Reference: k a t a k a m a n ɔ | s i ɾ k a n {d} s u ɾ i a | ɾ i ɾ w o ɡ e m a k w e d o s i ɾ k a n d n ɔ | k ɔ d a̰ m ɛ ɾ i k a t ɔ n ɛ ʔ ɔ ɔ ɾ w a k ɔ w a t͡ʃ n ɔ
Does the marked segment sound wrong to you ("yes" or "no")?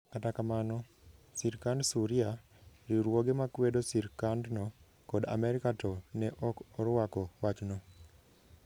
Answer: no